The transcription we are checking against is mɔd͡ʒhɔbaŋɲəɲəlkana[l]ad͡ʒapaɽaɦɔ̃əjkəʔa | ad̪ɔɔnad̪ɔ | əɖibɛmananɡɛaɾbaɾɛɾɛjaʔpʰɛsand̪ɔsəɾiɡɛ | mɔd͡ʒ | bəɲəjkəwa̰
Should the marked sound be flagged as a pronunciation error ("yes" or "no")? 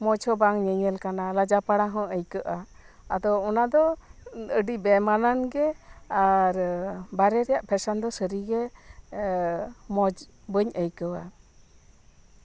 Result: no